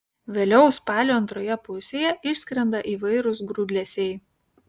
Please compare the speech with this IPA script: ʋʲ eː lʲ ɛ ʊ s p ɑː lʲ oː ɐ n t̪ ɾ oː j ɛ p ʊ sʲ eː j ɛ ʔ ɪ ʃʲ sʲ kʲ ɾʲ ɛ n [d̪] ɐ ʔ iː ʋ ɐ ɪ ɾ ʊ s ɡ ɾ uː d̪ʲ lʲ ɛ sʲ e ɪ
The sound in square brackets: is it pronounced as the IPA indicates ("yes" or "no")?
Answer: yes